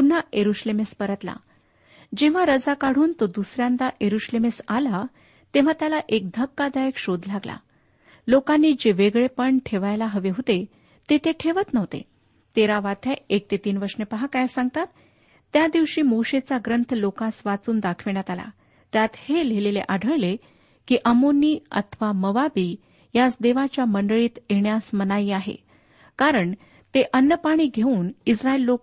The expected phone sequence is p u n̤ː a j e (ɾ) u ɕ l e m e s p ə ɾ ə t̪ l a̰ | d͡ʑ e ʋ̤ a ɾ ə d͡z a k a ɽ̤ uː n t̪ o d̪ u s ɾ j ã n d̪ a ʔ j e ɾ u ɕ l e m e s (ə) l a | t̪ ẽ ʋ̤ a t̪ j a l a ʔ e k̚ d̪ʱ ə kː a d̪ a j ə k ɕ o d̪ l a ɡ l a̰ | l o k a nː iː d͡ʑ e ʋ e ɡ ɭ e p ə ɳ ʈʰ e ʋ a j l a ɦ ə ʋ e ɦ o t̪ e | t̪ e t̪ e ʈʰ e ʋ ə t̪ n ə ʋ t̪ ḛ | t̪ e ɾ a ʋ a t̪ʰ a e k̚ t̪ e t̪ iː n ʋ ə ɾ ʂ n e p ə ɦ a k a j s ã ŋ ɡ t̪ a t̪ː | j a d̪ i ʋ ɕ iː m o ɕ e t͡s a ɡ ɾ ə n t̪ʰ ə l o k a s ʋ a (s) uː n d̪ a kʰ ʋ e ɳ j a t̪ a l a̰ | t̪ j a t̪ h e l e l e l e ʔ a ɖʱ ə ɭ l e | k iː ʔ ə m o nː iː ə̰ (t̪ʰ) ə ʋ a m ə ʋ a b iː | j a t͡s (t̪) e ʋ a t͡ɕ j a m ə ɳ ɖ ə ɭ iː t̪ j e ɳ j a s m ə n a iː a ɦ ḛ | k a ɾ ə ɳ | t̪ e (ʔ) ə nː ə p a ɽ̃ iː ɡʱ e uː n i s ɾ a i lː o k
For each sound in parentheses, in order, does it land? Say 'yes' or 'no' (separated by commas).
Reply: yes, no, no, yes, no, yes